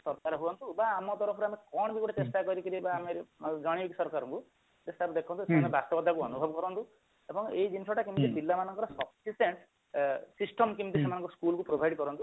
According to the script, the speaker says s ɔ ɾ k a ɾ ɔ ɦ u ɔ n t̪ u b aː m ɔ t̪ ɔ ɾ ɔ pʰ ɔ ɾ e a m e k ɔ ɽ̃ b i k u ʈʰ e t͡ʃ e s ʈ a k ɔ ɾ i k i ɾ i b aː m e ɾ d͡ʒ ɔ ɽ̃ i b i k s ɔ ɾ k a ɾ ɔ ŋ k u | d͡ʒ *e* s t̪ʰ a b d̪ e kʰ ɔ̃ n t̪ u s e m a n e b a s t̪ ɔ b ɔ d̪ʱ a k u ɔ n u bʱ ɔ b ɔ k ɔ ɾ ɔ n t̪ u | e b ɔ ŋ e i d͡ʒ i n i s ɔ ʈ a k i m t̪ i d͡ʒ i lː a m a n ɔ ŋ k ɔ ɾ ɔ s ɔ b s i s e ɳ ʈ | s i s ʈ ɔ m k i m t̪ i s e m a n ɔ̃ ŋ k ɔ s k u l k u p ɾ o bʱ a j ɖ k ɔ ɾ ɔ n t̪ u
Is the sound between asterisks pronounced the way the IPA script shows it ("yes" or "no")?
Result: yes